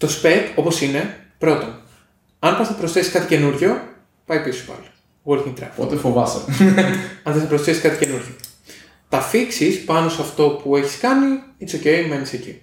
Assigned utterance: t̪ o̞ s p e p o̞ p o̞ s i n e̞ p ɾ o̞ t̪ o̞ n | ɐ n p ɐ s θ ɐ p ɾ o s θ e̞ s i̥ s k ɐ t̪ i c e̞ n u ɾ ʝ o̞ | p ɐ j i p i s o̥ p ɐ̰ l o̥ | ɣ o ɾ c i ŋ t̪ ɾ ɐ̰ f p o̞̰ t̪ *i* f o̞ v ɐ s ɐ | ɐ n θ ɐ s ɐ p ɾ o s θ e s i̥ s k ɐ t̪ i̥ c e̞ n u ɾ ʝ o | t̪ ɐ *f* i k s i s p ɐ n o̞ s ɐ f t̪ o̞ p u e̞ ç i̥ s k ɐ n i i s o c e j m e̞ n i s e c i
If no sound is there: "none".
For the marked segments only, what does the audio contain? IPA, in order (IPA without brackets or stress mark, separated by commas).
e, f